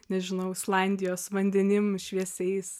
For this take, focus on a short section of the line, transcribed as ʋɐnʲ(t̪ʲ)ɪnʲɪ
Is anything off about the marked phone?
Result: yes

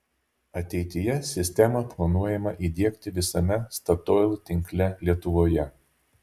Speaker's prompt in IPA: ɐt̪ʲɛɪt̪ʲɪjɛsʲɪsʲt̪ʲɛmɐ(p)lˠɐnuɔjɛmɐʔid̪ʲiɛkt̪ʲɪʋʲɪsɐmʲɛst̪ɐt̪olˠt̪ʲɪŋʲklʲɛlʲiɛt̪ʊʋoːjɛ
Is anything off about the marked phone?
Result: no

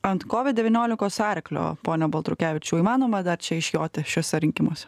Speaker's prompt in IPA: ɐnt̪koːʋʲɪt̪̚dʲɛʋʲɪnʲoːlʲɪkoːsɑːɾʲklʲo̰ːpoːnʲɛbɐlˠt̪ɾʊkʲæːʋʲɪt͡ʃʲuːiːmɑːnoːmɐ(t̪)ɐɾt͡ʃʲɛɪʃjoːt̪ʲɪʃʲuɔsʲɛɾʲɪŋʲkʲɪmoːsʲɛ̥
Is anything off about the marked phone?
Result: yes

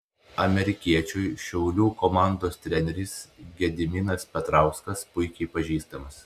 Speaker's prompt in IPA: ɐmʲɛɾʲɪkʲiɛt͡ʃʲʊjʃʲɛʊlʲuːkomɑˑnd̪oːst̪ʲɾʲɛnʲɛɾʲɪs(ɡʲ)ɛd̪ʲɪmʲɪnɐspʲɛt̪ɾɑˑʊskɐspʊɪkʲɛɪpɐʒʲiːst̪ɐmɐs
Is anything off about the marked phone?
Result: no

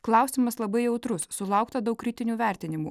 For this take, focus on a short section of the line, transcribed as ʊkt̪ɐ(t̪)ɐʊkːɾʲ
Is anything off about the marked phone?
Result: yes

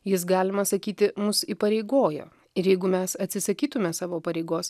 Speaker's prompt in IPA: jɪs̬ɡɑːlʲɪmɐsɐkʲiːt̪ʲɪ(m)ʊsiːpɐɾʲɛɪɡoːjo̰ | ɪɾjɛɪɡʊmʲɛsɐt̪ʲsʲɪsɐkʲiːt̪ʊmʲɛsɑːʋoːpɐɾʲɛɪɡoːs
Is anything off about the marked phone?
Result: no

